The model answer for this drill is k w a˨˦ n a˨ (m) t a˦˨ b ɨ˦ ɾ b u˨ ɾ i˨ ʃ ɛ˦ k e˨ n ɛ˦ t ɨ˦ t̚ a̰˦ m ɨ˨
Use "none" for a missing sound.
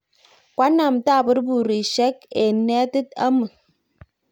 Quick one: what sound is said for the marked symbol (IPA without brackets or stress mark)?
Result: m